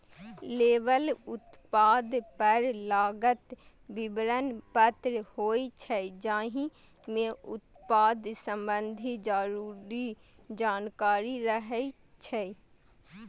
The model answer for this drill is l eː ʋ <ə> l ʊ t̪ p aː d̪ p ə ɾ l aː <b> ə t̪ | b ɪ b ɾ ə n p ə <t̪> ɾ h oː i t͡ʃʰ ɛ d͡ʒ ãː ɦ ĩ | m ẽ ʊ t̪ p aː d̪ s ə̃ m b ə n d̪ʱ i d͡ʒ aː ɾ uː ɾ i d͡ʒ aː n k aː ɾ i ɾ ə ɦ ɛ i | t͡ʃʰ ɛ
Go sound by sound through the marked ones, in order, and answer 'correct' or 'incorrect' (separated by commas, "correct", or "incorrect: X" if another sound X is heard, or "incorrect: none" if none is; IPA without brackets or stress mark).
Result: correct, incorrect: ɡ, correct